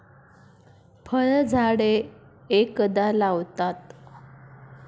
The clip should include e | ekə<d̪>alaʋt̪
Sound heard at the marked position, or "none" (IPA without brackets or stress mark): d̪